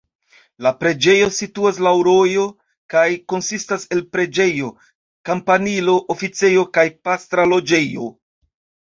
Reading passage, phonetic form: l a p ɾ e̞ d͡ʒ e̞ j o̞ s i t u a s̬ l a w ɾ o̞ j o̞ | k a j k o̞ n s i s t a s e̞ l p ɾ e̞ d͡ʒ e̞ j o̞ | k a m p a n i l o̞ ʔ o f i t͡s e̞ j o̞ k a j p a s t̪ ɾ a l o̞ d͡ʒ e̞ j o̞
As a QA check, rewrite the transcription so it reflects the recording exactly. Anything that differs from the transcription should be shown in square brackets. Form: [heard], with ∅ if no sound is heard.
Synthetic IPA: l a p ɾ e̞ d͡ʒ e̞ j o̞ s i t u a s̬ l a w ɾ o̞ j o̞ | k a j k o̞ n s i s t a s e̞ l p ɾ e̞ d͡ʒ e̞ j o̞ | k a m p a n i l o̞ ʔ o f i t͡s e̞ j o̞ k a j p a s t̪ ɾ a l o̞ d͡ʒ e̞ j o̞